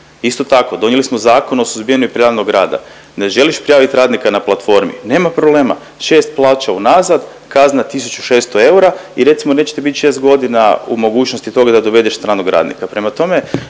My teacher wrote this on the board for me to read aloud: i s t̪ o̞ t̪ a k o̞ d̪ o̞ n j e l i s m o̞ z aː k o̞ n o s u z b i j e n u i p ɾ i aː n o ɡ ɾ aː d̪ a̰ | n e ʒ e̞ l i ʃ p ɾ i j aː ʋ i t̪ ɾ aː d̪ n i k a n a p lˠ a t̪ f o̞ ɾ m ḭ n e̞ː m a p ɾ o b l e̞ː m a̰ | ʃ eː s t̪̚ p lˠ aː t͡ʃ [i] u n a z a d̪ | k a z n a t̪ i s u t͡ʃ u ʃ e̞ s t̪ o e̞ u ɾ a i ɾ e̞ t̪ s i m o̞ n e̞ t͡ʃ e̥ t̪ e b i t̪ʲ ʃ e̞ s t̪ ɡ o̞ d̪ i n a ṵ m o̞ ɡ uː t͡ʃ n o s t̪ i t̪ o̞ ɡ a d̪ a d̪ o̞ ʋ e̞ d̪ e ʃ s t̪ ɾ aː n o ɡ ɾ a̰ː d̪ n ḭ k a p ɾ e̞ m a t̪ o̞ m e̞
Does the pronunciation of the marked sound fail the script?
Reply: yes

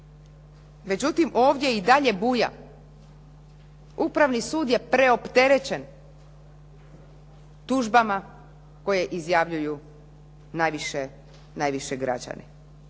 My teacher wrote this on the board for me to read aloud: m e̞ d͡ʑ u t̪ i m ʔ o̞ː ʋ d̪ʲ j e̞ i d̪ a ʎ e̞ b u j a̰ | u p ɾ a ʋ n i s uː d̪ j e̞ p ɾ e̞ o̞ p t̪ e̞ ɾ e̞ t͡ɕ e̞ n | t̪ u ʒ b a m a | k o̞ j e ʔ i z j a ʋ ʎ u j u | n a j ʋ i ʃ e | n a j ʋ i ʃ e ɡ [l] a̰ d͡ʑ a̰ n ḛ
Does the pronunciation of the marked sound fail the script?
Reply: yes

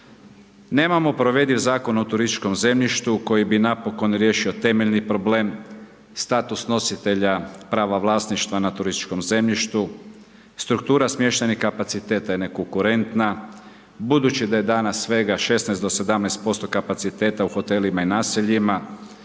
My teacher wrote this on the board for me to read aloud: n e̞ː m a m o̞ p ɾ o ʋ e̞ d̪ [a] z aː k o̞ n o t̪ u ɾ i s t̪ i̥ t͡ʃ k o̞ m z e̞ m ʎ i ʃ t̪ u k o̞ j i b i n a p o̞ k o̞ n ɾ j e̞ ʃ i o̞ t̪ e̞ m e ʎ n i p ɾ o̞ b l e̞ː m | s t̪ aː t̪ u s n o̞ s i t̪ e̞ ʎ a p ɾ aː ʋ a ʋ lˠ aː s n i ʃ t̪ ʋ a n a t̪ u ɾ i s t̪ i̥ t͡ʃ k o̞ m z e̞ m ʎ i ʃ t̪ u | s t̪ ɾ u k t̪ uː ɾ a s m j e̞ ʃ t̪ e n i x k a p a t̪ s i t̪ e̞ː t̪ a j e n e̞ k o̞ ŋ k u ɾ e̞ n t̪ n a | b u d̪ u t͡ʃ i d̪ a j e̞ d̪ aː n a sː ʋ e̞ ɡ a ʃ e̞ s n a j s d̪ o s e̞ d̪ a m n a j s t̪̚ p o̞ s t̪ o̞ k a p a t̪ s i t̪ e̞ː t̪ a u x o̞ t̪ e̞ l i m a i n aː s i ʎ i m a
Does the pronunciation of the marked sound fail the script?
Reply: yes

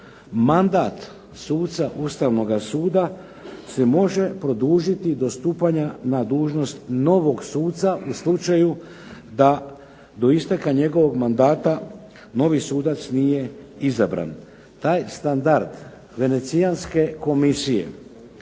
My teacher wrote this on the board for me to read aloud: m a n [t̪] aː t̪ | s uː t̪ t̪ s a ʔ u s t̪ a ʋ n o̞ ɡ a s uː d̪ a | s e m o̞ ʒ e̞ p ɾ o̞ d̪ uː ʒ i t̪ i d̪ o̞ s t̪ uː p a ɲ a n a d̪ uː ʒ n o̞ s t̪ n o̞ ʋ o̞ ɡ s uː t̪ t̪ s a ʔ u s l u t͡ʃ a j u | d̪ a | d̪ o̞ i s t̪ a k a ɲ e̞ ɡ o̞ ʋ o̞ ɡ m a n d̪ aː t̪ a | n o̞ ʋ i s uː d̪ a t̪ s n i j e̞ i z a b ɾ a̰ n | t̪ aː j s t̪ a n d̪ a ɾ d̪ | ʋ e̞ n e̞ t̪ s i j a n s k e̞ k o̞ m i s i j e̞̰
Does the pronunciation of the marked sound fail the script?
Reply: yes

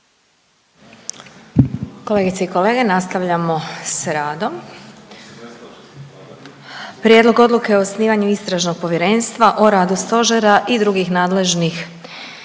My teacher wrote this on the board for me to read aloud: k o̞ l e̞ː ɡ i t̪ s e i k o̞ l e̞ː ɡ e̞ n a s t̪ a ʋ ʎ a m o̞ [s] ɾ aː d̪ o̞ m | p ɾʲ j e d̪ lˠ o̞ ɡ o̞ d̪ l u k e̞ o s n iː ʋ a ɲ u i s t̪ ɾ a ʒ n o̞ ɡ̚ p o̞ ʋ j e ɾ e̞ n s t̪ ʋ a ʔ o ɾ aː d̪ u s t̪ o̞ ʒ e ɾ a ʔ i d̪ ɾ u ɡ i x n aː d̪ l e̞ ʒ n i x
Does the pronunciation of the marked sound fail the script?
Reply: no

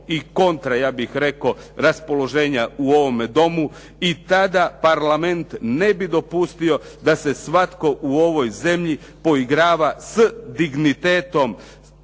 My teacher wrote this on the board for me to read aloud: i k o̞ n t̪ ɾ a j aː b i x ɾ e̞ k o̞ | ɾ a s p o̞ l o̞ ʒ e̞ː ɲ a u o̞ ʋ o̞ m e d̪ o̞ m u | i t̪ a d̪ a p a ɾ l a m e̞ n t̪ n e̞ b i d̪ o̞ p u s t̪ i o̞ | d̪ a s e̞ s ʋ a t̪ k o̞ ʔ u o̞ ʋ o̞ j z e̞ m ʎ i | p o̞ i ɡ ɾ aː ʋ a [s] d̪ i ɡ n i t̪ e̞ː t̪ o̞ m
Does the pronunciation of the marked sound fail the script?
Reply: no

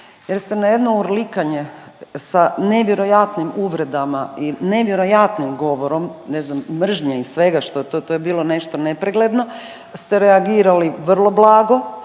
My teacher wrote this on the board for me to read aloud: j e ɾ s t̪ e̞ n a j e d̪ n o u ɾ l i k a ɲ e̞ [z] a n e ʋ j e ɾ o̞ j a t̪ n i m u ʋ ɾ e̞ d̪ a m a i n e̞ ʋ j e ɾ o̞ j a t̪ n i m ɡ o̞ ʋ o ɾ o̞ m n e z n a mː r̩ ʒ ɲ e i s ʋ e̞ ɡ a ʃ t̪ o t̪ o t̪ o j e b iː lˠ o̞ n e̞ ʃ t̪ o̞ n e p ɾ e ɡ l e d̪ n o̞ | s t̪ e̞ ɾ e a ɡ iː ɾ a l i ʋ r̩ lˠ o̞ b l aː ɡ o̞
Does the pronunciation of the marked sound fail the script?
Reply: yes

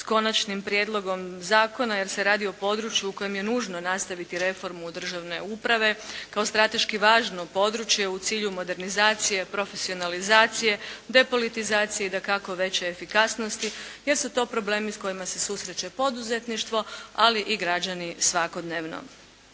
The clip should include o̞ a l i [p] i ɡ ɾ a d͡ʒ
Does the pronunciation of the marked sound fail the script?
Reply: yes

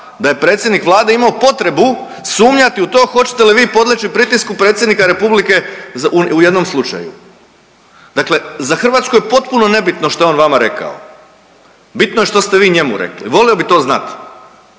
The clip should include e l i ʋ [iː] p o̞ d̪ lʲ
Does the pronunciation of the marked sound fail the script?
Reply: no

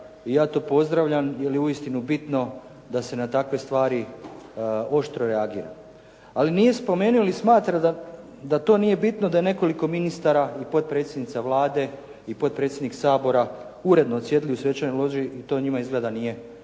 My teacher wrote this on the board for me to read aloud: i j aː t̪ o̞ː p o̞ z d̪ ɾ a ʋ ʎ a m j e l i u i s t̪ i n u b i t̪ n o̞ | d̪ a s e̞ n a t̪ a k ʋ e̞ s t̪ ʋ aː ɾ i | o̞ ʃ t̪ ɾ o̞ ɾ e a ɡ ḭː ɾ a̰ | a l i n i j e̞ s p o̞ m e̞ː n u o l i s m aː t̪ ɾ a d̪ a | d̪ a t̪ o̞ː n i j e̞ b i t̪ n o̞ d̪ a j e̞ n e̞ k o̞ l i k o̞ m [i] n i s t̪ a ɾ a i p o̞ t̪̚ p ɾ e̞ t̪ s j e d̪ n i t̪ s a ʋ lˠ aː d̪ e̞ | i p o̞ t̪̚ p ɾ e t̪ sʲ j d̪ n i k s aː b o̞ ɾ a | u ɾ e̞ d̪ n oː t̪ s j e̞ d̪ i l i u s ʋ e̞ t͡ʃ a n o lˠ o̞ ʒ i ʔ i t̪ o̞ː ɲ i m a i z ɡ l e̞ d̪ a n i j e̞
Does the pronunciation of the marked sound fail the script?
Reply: no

